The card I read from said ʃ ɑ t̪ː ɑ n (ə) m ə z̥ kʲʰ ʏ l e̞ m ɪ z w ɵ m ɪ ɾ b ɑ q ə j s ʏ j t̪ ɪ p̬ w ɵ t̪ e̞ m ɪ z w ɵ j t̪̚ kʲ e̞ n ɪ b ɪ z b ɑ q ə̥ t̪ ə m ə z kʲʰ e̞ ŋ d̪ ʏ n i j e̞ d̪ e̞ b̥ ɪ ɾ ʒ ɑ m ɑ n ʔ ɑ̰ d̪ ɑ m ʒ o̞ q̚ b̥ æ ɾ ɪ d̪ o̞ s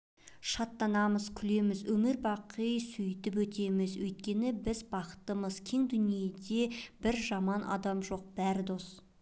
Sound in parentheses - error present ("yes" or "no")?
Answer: yes